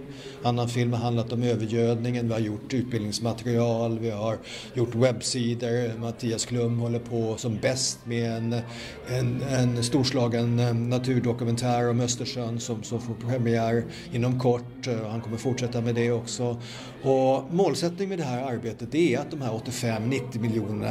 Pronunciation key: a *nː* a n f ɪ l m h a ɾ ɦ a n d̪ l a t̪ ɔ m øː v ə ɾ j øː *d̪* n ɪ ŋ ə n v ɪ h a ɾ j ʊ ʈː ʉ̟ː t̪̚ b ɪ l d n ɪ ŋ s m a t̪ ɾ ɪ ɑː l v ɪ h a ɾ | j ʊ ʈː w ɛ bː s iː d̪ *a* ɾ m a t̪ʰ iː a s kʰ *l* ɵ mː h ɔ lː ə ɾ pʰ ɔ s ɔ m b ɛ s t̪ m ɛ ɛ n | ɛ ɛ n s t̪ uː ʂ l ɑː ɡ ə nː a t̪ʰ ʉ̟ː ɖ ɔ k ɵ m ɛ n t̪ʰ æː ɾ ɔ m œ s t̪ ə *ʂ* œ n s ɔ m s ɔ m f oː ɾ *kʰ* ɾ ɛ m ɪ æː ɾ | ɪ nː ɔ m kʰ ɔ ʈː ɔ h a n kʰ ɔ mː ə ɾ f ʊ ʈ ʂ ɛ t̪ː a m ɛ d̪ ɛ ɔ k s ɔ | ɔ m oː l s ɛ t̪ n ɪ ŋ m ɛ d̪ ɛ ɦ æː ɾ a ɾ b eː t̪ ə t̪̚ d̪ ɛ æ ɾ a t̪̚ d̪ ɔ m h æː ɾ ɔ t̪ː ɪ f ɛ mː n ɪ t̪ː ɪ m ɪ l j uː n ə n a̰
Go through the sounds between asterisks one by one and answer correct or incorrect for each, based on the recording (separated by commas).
correct, correct, incorrect, correct, correct, incorrect